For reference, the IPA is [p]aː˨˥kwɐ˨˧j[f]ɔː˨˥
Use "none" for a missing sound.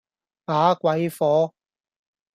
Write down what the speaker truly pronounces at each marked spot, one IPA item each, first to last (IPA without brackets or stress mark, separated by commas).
p, f